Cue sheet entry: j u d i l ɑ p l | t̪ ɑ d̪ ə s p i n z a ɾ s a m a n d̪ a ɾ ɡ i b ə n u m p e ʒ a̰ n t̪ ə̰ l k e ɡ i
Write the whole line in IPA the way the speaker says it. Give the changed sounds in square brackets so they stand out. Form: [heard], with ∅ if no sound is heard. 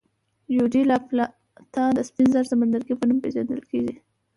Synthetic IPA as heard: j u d i l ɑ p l | t̪ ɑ d̪ ə s p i n z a ɾ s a m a n d̪ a ɾ ɡ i [p] ə n u m p e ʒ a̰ n [d̪] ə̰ l k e ɡ i